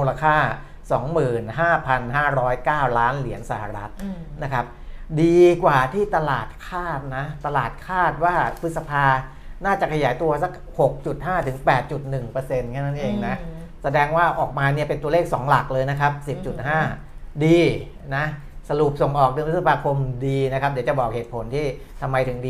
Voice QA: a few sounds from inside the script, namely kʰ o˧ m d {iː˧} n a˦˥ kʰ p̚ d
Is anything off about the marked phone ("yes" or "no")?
no